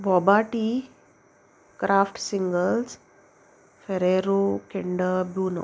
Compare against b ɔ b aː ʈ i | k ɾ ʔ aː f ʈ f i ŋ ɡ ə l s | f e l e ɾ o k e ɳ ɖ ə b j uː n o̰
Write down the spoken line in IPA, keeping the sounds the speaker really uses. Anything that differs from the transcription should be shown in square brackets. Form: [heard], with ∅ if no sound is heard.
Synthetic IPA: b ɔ b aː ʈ i | k ɾ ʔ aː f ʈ [s] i ŋ ɡ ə l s | f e [ɾ] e ɾ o k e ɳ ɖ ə b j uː n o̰